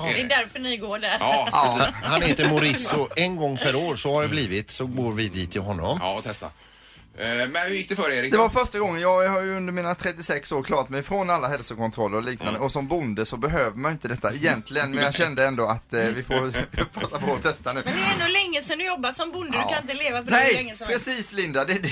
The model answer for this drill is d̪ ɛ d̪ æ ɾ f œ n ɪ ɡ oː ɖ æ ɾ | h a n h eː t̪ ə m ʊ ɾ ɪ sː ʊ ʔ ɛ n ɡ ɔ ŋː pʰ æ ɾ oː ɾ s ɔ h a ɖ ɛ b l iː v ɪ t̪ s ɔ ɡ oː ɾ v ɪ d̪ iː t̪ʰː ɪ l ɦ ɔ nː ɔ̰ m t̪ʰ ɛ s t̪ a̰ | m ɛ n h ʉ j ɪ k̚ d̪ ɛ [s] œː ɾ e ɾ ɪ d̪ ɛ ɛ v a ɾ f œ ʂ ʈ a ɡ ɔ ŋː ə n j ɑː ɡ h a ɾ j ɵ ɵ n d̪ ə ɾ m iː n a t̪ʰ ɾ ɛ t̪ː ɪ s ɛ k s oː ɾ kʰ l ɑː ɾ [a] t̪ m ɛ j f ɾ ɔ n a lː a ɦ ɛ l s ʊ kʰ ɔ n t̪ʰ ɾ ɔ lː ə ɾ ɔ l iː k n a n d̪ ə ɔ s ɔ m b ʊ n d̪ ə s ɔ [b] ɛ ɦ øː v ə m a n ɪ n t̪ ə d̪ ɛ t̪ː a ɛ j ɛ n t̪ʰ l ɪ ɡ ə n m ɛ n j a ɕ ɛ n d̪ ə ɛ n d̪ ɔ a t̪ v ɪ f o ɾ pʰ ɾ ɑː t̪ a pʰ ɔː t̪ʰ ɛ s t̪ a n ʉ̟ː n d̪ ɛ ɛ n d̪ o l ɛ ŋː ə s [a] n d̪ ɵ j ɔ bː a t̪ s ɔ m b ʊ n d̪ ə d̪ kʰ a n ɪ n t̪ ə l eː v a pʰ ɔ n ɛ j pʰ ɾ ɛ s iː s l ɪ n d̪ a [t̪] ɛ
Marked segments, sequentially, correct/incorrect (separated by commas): incorrect, correct, correct, incorrect, incorrect